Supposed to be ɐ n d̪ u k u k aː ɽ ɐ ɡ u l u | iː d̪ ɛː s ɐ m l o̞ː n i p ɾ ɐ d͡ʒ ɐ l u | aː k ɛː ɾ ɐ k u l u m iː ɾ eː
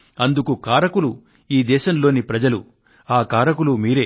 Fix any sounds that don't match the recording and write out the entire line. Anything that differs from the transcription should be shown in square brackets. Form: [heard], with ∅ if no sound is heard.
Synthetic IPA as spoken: ɐ n d̪ u k u k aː [ɾ] ɐ [k] u l u | iː d̪ ɛː [ʃ] ɐ m l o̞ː n i p ɾ ɐ d͡ʒ ɐ l u | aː k [aː] ɾ ɐ k u l u m iː ɾ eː